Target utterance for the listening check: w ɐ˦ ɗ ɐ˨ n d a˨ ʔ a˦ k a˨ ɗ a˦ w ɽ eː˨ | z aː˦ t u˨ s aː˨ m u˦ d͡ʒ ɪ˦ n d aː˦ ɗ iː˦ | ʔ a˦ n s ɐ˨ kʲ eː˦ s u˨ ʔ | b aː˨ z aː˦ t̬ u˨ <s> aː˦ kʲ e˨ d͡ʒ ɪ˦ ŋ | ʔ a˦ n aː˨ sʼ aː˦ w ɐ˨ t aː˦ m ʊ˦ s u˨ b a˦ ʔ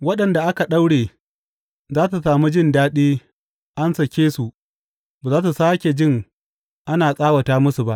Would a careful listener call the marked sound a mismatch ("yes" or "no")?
no